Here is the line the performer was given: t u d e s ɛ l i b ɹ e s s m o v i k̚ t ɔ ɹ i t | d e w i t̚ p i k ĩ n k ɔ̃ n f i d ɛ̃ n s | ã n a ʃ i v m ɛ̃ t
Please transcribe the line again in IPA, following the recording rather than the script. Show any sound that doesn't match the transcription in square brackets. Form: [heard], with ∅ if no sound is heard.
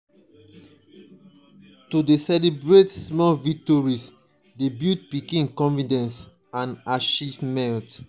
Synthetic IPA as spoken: t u d e s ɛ l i b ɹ e [t] s m [ɔ] v i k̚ t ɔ ɹ i [s] | d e [b] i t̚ p i k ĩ n k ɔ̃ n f i d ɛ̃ n s | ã n a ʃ i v m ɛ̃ t

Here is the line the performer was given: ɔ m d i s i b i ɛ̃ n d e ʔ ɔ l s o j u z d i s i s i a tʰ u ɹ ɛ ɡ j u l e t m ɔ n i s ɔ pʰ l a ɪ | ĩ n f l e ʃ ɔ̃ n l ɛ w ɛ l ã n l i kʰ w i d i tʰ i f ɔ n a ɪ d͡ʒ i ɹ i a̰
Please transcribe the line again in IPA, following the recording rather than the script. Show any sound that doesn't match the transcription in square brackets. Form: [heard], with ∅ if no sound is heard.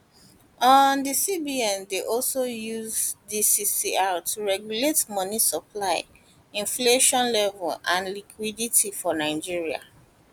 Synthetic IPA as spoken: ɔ [n] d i s i b i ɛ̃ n d e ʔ ɔ l s o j u z d i s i s i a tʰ u ɹ ɛ ɡ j u l e t m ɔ n i s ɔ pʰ l a ɪ | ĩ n f l e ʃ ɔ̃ n l ɛ [v] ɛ l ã n l i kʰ w i d i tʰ i f ɔ n a ɪ d͡ʒ i ɹ i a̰

